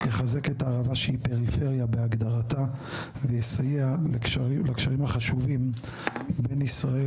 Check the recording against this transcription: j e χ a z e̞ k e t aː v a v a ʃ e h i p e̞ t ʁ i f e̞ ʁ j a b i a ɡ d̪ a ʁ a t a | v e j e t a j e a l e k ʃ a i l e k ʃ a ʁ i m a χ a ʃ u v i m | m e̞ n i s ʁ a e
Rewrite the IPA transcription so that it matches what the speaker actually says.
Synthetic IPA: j e χ a z e̞ k e t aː ʁ a v a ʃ e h i p e̞ ʁ i f e̞ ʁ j a b e a ɡ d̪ a ʁ a t a | v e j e s a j e a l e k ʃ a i l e k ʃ a ʁ i m a χ a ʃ u v i m | b e̞ n i s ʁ a e